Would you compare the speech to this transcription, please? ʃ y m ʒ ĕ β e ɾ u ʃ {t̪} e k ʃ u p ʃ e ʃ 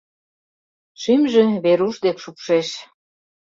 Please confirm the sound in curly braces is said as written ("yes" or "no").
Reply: no